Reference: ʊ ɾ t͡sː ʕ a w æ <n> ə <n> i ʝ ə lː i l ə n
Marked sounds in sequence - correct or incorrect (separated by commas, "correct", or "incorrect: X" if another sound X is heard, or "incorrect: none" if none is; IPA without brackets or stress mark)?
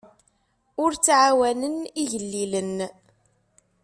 correct, correct